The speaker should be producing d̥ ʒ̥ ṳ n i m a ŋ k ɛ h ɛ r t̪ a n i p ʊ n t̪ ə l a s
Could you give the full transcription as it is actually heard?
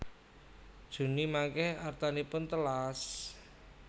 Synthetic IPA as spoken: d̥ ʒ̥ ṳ n i m a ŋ k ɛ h a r t̪ a n i p ʊ n t̪ ə l a s